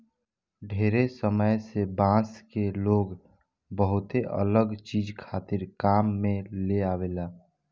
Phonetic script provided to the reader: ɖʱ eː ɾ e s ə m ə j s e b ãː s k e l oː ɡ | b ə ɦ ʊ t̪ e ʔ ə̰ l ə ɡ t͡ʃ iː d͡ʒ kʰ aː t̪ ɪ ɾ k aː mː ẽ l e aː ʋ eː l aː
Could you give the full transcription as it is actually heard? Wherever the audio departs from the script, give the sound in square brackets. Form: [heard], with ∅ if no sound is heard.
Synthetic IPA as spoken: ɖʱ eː ɾ e s ə m ə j s e b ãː s k e l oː ɡ | b ə ɦ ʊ t̪ e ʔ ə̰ l ə ɡ t͡ʃ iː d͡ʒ kʰ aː t̪ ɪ ɾ k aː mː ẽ l e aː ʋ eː l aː